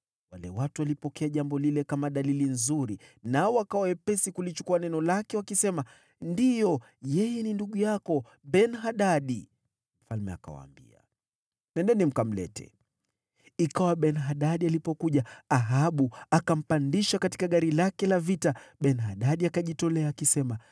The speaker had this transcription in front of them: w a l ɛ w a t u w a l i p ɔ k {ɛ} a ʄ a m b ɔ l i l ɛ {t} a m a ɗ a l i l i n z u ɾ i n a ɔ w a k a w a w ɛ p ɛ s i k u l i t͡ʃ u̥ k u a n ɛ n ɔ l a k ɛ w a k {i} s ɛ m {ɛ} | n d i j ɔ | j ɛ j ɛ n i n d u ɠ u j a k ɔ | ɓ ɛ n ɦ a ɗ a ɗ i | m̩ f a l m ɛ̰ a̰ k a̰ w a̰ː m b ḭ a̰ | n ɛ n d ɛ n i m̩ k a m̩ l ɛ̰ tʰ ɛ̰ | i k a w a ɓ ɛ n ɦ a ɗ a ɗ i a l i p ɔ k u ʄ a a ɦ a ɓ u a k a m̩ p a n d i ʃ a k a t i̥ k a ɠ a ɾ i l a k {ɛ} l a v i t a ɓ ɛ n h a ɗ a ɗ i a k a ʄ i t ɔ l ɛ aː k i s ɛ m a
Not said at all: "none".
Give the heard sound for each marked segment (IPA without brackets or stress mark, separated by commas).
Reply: ɛ, k, i, a, ɛ